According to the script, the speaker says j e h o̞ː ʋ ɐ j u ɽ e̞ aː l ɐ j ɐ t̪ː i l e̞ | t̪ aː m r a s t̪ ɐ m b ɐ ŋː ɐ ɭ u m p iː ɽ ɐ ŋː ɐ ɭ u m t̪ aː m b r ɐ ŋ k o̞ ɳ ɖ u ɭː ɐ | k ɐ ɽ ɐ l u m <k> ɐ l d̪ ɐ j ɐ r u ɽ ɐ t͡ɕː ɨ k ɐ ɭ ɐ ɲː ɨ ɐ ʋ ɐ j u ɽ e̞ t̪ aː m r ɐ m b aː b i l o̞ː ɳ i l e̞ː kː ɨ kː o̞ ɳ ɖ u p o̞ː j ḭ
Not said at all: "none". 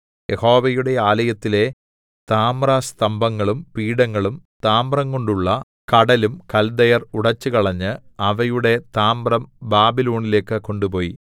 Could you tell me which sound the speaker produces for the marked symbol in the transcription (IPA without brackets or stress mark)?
k